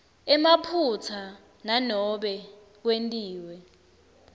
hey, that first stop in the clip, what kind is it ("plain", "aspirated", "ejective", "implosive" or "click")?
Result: aspirated